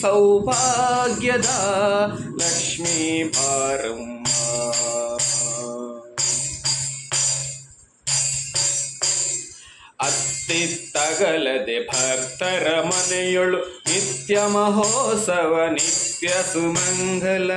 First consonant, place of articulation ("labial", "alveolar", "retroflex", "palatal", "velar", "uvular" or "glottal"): alveolar